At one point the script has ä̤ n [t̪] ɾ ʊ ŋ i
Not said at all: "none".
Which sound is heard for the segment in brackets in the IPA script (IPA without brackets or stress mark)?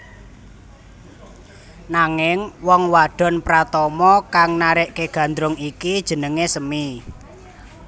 d̪